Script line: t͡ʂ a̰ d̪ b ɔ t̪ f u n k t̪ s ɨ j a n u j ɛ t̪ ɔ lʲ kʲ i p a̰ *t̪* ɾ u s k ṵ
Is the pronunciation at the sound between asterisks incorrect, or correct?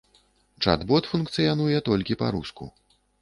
incorrect